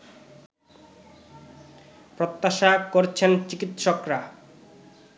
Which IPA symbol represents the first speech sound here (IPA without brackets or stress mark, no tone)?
p